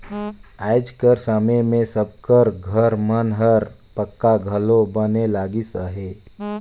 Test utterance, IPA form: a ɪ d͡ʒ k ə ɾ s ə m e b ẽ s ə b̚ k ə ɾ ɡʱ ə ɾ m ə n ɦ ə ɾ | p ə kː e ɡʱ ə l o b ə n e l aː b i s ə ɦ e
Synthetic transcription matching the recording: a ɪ d͡ʒ k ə ɾ s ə m e m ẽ s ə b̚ k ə ɾ ɡʱ ə ɾ m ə n ɦ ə ɾ | p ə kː a ɡʱ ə l o b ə n e l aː ɡ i s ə ɦ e